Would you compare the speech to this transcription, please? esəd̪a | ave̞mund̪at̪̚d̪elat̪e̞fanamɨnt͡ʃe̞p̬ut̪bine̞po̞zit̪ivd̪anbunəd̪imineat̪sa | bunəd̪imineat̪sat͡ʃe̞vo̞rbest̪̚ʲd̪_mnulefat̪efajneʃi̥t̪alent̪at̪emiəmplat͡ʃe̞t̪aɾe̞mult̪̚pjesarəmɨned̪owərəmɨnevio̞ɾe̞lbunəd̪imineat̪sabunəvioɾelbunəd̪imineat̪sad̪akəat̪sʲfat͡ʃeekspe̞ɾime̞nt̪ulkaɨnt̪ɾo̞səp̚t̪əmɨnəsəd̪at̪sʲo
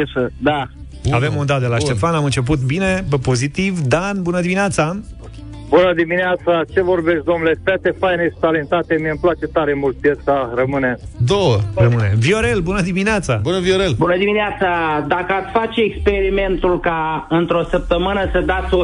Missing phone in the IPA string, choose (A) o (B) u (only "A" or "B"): A